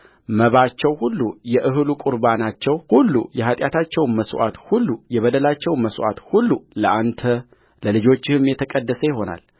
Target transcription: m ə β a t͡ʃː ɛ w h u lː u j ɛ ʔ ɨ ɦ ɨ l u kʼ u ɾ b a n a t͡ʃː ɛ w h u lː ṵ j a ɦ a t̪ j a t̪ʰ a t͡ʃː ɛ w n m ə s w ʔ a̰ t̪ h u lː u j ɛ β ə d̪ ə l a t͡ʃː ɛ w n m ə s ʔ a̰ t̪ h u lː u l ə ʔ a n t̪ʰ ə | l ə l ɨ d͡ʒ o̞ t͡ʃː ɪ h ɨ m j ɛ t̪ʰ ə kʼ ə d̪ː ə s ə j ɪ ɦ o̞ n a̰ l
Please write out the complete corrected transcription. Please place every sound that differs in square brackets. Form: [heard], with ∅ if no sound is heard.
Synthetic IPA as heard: m ə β a t͡ʃː ɛ w h u lː u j ɛ ʔ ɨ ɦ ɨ l u kʼ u ɾ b a n a t͡ʃː ɛ w h u lː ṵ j [ɛ] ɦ a [t̪ʼ] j a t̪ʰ a t͡ʃː ɛ w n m ə s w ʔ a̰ t̪ h u lː u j ɛ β ə d̪ ə l a t͡ʃː ɛ w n m ə s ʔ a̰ t̪ h u lː u l ə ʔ a n t̪ʰ ə | l ə l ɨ d͡ʒ o̞ t͡ʃː ɪ h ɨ m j ɛ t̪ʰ ə kʼ ə d̪ː ə s ə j ɪ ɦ o̞ n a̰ l